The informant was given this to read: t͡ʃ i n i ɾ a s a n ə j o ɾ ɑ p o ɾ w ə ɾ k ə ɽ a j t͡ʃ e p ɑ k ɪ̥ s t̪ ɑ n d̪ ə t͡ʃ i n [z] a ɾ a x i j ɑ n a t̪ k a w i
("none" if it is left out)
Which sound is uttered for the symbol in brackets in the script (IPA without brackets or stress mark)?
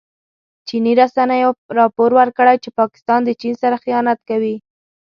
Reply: s